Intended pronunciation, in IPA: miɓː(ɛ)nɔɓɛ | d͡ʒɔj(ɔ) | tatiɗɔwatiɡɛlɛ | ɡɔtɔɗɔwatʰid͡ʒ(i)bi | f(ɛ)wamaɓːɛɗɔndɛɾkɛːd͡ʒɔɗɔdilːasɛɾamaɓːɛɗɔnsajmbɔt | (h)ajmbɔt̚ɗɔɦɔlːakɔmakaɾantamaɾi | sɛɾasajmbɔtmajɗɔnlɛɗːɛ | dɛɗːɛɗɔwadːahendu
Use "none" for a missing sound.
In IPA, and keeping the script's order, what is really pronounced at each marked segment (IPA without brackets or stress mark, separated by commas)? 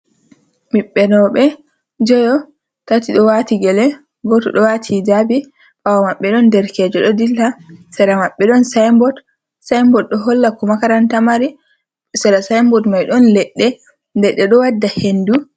ɛ, ɔ, a, a, s